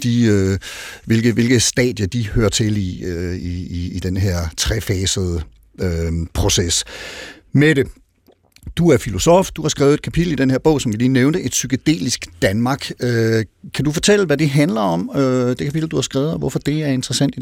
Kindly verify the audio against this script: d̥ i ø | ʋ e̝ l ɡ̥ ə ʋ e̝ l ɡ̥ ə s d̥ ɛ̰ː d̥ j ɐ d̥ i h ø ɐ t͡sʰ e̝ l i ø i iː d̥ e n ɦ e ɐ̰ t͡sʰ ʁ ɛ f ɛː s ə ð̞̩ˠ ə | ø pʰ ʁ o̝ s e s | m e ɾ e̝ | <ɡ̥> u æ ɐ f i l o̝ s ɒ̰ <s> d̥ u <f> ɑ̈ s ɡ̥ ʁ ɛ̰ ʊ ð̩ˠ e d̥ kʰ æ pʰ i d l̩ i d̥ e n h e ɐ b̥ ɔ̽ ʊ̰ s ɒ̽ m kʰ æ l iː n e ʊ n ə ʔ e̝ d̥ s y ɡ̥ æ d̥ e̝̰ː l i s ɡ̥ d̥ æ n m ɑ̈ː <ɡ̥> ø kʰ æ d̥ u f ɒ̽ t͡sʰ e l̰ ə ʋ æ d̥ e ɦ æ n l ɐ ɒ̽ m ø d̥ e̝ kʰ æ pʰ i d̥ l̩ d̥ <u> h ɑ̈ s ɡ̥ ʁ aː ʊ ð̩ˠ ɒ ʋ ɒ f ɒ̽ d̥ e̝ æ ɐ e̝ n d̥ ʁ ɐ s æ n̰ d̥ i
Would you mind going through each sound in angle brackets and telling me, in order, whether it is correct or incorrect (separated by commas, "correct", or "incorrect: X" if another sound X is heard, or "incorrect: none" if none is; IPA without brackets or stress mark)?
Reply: incorrect: d̥, incorrect: f, incorrect: h, correct, correct